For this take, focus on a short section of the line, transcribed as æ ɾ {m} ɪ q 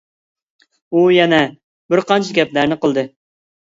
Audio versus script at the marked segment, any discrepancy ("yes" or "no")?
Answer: yes